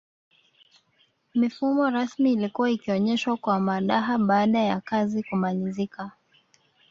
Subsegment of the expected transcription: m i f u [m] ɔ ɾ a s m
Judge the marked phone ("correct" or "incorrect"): correct